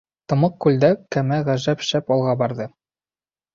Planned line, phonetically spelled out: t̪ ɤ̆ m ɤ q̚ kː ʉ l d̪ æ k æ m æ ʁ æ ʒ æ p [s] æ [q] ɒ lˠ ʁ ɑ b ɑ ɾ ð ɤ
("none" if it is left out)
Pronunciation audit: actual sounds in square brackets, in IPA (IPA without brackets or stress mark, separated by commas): ʃ, p